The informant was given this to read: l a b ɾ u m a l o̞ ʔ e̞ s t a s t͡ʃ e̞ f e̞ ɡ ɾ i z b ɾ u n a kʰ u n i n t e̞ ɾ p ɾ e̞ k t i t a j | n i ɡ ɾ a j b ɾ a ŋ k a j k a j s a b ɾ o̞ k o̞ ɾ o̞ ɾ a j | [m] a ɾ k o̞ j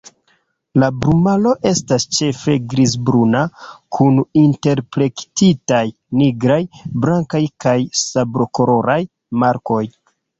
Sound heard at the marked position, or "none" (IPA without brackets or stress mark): m